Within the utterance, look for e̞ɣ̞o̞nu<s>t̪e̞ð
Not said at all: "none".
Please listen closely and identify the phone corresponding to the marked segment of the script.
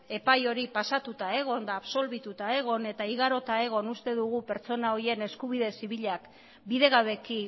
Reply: s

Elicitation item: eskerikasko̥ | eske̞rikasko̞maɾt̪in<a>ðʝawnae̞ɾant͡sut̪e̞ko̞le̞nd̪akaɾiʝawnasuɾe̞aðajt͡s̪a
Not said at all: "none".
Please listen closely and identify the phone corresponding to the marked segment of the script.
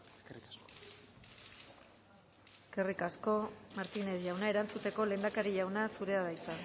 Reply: e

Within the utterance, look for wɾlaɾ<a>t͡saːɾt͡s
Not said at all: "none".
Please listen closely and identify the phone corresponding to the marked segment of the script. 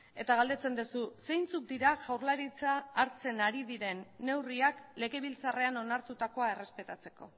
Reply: i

